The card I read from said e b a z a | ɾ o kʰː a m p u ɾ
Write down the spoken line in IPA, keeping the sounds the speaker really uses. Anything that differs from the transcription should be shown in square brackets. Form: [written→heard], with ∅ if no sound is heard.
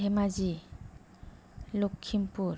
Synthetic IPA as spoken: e [b→m] a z [a→i] | [ɾ→l] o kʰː [a→i] m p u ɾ